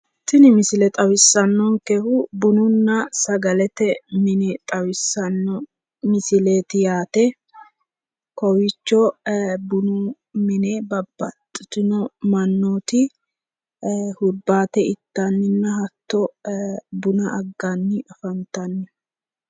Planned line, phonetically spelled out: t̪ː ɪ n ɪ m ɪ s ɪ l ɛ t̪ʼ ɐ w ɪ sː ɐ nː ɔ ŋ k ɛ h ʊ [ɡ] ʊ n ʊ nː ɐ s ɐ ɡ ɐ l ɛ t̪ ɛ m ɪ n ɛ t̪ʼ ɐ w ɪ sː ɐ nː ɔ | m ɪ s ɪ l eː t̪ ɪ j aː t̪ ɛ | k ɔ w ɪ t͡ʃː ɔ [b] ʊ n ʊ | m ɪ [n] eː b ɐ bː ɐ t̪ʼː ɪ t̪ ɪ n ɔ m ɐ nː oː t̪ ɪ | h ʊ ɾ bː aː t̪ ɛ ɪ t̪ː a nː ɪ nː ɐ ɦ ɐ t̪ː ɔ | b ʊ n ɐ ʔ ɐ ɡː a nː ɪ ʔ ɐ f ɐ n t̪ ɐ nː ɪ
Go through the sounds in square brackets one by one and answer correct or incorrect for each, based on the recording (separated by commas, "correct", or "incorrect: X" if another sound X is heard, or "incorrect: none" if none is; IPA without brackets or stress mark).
incorrect: b, correct, correct